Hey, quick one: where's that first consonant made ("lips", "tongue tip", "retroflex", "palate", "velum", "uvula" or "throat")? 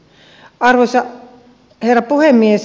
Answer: tongue tip